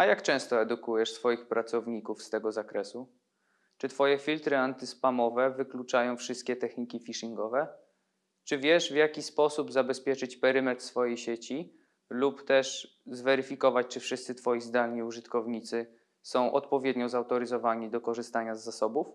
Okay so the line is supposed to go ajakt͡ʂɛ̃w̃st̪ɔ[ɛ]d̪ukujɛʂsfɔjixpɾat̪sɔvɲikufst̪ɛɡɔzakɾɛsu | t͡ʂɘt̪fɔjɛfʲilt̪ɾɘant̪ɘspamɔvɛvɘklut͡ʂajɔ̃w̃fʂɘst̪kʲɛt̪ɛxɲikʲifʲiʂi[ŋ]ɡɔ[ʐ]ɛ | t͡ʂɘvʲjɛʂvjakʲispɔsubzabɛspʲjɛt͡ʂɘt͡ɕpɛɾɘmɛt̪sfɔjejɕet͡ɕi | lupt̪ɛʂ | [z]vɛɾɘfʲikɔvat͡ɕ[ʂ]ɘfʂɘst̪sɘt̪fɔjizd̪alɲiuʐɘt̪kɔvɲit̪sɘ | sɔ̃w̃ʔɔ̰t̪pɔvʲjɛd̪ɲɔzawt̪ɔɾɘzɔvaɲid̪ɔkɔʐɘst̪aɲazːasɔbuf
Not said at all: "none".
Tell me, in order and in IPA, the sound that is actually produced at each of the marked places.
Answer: ɛ, ŋ, v, z, t͡ʂ

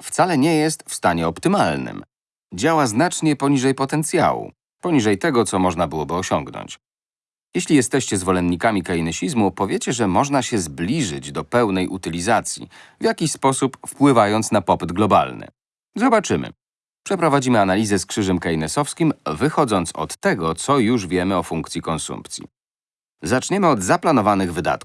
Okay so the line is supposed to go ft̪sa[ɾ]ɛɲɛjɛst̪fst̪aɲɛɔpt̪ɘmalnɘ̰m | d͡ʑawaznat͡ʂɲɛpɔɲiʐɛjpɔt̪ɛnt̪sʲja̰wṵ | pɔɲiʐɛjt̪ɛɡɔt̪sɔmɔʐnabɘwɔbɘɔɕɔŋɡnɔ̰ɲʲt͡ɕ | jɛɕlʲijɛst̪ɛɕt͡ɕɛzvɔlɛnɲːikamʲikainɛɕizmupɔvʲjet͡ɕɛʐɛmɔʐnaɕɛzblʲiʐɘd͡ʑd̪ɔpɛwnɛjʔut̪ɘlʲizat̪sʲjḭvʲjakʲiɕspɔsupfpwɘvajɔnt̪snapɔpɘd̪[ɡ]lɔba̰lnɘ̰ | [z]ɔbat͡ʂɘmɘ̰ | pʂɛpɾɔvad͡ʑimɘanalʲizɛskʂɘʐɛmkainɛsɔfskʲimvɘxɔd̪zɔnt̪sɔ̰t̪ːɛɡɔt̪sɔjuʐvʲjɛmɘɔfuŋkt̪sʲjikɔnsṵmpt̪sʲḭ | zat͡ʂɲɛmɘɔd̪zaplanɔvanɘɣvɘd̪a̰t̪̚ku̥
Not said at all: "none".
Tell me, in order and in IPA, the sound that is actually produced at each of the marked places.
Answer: l, ɡ, z

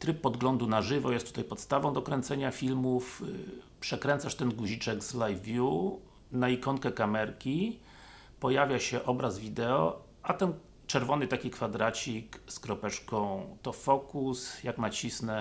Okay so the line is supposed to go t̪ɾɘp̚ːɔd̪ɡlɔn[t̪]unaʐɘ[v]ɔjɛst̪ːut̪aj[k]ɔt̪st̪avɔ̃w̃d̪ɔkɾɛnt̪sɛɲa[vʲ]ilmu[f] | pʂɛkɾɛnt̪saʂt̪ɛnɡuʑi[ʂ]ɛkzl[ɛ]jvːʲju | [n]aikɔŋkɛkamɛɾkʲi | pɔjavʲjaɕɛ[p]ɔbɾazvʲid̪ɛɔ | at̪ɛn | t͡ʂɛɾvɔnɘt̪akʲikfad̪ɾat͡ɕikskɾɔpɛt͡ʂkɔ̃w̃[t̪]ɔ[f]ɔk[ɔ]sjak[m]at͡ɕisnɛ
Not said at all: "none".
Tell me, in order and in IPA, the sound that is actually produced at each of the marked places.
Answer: d̪, v, p, fʲ, f, t͡ʂ, a, n, ʔ, t̪, f, u, m

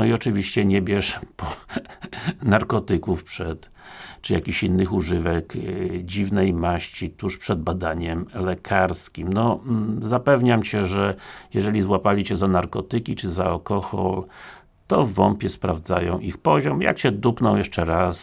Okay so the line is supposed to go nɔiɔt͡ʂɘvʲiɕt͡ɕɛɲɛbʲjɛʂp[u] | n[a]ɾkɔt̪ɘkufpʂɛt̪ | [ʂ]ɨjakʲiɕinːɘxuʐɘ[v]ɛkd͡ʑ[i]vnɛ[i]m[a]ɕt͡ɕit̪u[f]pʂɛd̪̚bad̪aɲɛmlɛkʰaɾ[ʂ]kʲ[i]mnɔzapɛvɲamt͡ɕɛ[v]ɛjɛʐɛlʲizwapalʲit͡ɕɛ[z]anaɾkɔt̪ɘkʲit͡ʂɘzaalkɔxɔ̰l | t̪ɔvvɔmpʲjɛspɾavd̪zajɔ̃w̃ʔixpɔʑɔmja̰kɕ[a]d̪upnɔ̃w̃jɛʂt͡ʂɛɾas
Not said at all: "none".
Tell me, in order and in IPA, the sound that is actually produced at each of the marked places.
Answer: ɔ, a, t͡ʂ, v, i, j, a, ʂ, s, i, ʐ, z, ɛ

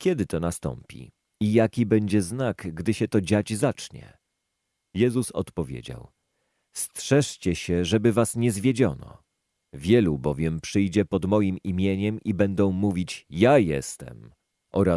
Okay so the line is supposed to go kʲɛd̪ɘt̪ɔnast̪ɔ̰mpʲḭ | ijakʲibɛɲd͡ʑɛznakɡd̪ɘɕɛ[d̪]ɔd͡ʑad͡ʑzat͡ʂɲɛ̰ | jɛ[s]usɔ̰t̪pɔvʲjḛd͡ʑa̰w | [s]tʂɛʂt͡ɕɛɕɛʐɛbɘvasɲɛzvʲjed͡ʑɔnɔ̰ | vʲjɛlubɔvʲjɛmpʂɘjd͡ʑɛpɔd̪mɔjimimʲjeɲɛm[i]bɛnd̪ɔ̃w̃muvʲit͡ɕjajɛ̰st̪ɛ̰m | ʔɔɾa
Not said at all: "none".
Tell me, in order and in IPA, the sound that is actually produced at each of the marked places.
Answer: t̪, z, s, i

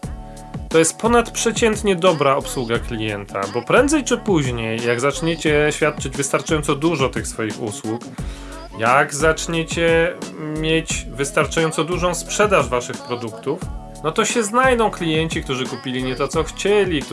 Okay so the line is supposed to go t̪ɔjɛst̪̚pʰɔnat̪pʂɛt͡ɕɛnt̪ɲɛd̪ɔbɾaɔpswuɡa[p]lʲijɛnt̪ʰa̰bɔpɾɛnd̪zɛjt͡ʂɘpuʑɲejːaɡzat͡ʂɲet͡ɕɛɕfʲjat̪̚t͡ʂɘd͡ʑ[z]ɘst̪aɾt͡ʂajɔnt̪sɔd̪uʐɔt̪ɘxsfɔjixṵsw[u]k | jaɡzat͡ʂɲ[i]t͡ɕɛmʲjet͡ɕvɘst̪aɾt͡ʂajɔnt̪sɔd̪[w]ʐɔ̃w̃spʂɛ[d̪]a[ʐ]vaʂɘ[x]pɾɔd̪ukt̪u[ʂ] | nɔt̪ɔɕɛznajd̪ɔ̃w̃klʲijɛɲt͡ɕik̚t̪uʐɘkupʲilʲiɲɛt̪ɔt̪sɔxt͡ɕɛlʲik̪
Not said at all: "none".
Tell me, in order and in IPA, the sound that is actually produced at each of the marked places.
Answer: k, v, u, e, u, d̪, ʐ, x, f

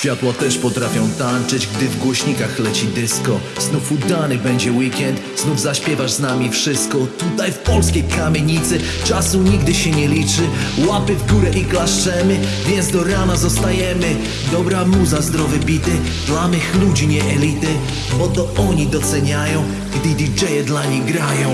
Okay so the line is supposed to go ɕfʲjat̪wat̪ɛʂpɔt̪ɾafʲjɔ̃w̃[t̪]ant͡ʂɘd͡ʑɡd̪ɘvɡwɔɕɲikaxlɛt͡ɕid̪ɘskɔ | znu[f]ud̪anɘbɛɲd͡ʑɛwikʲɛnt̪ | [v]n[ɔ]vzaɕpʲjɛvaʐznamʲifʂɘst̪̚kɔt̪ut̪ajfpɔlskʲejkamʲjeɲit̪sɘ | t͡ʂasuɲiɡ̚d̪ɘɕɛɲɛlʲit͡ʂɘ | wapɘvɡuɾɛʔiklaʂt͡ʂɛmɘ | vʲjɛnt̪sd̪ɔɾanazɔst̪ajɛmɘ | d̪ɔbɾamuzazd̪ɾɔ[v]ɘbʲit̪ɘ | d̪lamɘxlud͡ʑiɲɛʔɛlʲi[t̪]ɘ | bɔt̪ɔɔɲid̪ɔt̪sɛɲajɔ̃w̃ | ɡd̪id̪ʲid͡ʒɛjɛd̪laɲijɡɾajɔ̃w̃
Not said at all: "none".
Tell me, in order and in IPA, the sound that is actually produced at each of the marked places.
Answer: t̪, f, z, u, v, t̪

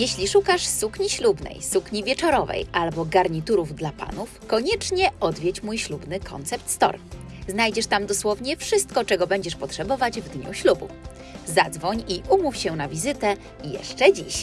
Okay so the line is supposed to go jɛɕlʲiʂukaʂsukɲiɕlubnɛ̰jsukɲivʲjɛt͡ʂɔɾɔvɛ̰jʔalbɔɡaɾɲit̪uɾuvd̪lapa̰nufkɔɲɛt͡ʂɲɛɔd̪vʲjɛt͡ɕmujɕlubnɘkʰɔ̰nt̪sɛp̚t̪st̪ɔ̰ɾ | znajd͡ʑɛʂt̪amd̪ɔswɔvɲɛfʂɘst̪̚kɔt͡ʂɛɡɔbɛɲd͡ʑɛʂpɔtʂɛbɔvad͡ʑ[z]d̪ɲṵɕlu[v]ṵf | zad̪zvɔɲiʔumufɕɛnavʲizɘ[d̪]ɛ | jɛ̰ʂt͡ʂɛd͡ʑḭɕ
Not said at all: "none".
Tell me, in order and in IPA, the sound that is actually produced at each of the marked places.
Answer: v, b, t̪

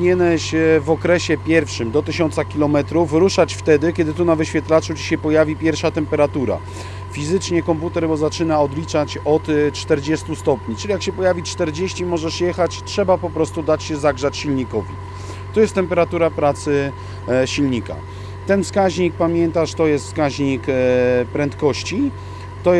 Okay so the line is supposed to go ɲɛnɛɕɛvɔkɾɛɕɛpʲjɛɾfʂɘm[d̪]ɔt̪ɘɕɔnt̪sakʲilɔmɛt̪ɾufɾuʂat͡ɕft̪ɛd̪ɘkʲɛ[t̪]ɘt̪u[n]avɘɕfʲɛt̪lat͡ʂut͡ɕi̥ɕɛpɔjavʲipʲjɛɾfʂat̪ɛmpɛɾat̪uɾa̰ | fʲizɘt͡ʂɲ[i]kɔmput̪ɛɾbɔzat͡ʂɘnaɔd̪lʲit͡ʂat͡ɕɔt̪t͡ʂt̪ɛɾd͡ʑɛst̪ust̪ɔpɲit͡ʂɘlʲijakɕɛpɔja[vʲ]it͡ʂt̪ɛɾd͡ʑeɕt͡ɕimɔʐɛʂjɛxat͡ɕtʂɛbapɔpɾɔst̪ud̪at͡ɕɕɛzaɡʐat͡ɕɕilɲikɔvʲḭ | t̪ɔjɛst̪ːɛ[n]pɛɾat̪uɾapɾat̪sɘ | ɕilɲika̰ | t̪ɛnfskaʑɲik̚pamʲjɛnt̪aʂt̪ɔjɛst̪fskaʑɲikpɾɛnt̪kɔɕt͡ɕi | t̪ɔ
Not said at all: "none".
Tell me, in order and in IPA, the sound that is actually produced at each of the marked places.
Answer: d̪, d̪, n, ɛ, vʲ, m

